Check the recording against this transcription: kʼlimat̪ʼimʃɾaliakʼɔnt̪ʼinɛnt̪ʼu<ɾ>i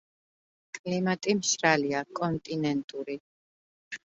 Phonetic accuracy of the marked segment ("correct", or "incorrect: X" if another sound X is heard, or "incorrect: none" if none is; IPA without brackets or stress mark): correct